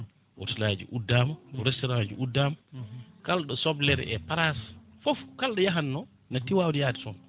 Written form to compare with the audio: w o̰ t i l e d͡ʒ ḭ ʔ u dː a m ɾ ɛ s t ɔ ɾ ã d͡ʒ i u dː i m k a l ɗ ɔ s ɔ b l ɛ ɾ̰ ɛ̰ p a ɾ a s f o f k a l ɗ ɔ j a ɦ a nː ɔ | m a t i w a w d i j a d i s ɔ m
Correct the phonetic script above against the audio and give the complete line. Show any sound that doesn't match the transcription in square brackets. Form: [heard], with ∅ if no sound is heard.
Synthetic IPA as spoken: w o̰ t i l [a] d͡ʒ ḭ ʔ u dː a m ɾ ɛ s t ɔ ɾ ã d͡ʒ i u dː [a] m k a l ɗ ɔ s ɔ b l ɛ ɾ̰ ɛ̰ p a ɾ a s f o f k a l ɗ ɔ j a ɦ a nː ɔ | [n] a t i w a w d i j a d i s ɔ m